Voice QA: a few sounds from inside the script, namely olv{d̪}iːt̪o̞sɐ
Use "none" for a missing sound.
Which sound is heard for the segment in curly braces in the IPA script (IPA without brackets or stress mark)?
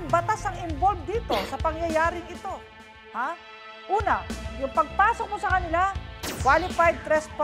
d̪